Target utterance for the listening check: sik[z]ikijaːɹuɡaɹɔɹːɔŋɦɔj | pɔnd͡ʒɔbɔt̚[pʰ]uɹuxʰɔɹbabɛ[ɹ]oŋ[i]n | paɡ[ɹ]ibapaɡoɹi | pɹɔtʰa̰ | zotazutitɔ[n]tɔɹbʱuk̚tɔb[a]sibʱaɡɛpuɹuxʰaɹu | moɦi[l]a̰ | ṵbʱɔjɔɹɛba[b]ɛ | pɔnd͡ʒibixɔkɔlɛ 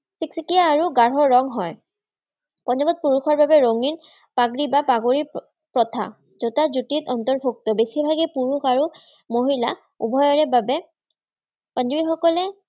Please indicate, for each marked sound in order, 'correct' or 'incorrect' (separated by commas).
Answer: incorrect, incorrect, correct, correct, correct, correct, incorrect, correct, correct